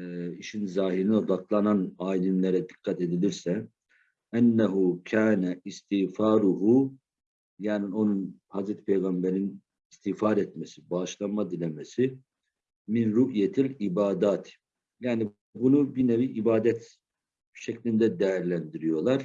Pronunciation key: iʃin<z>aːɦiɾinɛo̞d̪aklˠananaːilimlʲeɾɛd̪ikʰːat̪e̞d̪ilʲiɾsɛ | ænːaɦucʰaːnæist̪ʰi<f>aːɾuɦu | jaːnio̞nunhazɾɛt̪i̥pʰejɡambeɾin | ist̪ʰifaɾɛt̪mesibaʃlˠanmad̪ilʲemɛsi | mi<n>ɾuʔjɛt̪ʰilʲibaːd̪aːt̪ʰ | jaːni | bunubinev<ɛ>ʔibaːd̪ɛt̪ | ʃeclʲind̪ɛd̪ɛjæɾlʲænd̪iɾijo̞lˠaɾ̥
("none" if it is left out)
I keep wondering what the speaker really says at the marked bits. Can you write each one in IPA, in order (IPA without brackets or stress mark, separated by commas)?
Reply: z, f, n, i